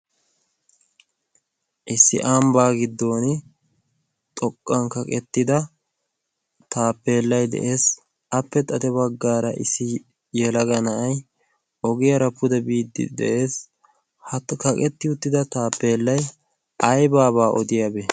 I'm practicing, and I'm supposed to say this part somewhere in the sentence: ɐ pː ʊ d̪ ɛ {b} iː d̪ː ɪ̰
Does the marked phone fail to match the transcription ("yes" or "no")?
no